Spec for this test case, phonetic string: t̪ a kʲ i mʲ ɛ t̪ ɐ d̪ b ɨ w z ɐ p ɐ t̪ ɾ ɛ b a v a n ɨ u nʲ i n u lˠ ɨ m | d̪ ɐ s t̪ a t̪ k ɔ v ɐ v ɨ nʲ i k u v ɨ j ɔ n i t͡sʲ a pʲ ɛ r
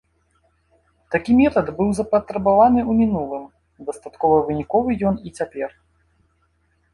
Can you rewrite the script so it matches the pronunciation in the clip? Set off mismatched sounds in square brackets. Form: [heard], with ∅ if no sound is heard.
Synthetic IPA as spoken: t̪ a kʲ i mʲ ɛ t̪ ɐ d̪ b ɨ w z ɐ p ɐ t̪ ɾ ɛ b a v a n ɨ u [mʲ] i n u lˠ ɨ m | d̪ ɐ s t̪ a t̪ k ɔ v ɐ v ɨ nʲ i k [ɔ] v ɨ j ɔ n i t͡sʲ a pʲ ɛ r